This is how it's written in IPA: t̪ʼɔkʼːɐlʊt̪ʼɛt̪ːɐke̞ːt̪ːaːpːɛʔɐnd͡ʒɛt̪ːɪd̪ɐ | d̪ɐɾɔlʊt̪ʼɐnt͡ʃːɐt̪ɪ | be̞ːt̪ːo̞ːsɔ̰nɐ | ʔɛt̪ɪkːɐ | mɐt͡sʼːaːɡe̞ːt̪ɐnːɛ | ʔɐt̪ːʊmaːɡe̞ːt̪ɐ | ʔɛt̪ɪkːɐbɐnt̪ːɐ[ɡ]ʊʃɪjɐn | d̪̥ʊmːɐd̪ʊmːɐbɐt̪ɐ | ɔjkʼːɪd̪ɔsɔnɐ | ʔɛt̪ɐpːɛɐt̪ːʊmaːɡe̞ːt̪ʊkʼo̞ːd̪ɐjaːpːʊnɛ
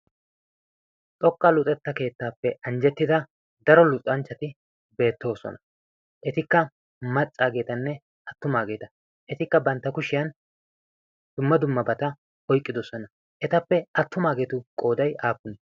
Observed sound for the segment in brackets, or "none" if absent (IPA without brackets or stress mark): k